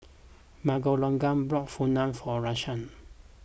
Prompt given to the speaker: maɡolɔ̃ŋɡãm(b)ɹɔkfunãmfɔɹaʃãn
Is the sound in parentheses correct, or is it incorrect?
correct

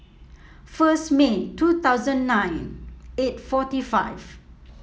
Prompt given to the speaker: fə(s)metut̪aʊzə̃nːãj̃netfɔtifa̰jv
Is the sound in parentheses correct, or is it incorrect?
correct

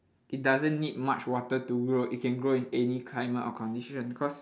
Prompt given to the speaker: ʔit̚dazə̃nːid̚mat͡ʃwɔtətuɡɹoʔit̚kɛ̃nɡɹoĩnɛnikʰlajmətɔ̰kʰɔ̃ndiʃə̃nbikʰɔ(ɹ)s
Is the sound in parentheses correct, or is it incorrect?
incorrect: none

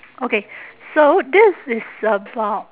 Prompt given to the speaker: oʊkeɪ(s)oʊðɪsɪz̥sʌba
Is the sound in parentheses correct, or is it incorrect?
correct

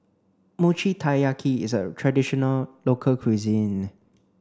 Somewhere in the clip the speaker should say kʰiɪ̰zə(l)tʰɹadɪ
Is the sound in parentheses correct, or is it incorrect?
incorrect: none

